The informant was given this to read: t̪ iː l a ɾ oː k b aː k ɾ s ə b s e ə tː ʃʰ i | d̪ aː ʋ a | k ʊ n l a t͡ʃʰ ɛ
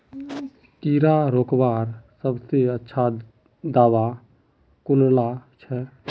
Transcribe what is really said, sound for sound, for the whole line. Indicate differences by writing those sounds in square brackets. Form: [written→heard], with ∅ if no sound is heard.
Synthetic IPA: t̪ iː [l→ɾ] a ɾ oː k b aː [k→∅] ɾ s ə b s e ə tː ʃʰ [i→a] | d̪ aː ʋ a | k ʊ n l a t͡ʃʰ ɛ